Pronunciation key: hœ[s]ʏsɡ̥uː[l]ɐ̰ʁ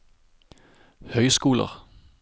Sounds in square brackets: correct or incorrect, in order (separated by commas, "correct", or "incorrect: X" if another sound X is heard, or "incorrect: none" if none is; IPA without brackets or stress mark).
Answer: incorrect: none, correct